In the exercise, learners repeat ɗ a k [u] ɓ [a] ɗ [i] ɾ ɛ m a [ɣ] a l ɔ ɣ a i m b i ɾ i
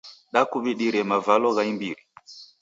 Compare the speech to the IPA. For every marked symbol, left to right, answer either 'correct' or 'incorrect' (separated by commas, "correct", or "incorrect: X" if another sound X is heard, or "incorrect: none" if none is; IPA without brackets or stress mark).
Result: correct, incorrect: i, correct, incorrect: v